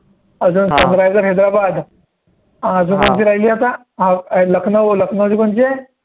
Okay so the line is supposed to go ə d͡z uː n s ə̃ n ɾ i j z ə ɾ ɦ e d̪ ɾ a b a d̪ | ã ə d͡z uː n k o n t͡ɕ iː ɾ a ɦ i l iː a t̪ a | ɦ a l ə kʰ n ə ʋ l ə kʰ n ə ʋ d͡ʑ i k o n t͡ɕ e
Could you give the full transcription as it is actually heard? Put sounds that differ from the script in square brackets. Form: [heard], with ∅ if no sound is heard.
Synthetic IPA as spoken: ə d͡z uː n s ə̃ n ɾ [a] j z ə ɾ ɦ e d̪ ɾ a b a d̪ | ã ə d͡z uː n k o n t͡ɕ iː ɾ a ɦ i l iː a t̪ a | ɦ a l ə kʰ n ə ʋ l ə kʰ n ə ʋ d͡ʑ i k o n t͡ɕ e